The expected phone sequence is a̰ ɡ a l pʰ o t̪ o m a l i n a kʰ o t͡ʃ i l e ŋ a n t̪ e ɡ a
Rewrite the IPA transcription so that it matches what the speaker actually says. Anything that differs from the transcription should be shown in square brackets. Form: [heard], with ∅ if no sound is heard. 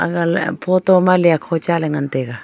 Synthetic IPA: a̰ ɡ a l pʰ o t̪ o m a l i [∅] a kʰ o t͡ʃ [a] l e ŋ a n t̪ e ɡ a